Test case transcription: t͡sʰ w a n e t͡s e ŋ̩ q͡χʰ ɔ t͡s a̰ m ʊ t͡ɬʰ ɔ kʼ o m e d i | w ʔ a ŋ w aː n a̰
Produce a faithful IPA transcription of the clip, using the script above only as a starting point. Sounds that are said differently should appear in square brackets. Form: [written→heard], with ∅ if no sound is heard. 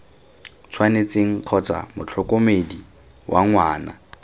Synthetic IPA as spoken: t͡sʰ w a n e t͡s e ŋ̩ q͡χʰ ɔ t͡s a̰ m ʊ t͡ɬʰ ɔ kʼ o m e d i | w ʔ a ŋ w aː n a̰